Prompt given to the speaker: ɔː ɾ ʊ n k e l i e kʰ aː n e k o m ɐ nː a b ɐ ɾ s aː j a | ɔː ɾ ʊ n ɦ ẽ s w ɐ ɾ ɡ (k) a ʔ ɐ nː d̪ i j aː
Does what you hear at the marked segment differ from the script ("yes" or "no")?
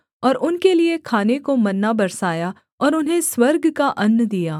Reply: no